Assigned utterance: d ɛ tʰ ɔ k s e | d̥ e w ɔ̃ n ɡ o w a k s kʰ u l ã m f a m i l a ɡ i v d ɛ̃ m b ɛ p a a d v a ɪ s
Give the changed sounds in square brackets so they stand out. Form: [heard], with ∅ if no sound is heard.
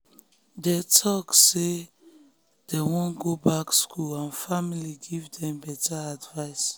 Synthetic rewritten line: d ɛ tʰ ɔ k s e | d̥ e w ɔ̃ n ɡ o [b] a k s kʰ u l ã [n] f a m i l [i] ɡ i v d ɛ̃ m b ɛ [t] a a d v a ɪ s